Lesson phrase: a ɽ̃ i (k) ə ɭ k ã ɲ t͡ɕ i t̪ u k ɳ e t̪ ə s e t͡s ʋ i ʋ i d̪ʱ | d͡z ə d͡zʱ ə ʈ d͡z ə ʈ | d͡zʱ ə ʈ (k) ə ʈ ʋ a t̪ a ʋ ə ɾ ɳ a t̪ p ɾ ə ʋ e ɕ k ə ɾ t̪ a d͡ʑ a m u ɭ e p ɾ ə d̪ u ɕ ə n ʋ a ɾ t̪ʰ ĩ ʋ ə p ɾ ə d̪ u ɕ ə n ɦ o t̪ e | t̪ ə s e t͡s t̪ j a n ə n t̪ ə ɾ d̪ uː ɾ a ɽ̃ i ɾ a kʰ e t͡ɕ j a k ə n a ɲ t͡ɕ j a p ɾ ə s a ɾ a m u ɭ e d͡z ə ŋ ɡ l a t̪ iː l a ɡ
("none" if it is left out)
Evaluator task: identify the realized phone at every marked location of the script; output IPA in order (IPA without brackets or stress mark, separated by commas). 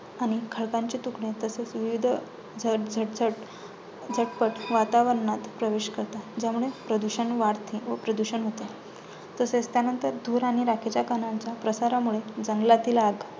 kʰ, p